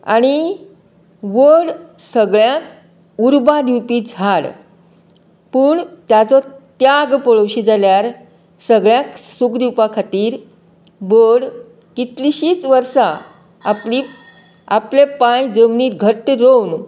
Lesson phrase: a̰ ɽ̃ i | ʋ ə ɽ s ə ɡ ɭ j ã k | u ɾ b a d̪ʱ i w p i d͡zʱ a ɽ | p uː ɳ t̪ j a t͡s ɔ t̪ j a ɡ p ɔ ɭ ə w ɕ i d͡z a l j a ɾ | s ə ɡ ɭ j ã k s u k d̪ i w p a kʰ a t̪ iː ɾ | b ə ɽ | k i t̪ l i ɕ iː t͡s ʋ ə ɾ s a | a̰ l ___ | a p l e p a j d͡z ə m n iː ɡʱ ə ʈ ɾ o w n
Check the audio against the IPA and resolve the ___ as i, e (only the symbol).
i